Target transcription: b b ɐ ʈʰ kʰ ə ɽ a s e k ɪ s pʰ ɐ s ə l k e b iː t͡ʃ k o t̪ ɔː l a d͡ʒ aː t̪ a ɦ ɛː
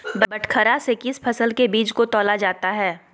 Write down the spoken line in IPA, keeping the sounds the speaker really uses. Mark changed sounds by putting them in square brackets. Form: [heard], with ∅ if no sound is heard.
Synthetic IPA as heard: b b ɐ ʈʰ kʰ ə [ɾ] a s e k ɪ s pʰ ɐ s ə l k e b iː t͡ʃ k o t̪ ɔː l a d͡ʒ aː t̪ a ɦ ɛː